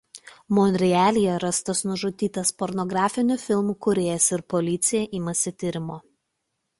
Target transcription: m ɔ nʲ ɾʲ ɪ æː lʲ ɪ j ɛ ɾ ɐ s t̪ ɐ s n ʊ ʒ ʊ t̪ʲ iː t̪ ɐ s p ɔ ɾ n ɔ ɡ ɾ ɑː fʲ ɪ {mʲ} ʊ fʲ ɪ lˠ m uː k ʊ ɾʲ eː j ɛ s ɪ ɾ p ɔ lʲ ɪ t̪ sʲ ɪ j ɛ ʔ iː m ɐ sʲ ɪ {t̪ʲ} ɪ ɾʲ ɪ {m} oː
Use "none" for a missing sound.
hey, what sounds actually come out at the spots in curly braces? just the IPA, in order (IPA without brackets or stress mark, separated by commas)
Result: nʲ, t̪ʲ, m